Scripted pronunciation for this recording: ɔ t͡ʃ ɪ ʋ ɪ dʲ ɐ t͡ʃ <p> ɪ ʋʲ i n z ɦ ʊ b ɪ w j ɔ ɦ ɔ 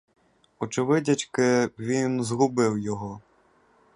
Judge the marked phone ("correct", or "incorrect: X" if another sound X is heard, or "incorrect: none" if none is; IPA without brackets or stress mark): incorrect: k